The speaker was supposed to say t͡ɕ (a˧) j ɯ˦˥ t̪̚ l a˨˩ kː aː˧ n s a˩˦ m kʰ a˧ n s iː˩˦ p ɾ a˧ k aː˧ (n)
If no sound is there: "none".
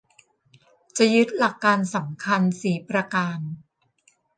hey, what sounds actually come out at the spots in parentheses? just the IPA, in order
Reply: a˨˩, n

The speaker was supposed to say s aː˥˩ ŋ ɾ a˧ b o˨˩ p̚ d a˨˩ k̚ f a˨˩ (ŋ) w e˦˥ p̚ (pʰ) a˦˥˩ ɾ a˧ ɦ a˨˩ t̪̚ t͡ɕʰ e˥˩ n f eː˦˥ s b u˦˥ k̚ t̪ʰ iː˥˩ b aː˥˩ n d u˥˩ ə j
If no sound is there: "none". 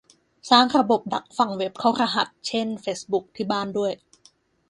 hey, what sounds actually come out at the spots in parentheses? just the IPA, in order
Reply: ŋ, kʰ

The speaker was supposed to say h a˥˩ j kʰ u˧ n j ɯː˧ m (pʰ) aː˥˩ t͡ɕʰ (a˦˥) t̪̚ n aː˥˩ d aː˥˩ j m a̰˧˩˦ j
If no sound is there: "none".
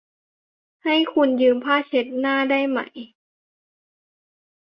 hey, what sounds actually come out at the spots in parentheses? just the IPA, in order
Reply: pʰ, e˦˥

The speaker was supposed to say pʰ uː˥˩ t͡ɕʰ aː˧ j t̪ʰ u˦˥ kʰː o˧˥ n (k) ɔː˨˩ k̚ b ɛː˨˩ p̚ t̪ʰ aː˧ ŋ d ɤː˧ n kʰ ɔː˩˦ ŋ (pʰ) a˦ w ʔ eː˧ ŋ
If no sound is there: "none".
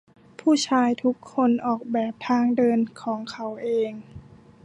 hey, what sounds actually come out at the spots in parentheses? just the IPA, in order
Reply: ʔ, kʰ

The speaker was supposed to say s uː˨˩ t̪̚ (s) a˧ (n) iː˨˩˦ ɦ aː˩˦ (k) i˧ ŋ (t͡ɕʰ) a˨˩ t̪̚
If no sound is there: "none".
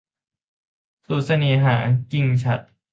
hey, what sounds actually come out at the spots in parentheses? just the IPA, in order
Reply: s, n, k, t͡ɕʰ

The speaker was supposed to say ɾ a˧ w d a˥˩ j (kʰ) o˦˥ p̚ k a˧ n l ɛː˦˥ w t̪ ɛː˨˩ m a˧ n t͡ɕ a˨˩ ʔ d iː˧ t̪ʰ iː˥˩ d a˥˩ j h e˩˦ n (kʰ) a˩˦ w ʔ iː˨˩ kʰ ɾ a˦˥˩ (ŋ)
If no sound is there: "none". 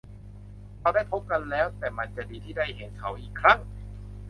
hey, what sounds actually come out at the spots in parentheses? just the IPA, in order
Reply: pʰ, kʰ, ŋ

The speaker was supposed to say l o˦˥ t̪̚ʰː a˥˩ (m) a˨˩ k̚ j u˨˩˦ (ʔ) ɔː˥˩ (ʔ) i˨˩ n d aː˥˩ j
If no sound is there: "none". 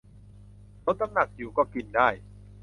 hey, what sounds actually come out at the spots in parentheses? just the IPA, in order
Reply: n, k, k

